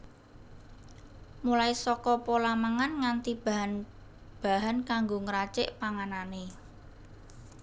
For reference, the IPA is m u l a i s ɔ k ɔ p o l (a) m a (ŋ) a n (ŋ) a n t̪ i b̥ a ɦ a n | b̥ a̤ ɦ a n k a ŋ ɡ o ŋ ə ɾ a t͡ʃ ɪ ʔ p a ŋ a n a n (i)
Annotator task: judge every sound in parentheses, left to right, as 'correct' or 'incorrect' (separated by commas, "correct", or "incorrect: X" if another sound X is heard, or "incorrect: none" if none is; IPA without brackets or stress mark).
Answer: correct, correct, correct, incorrect: e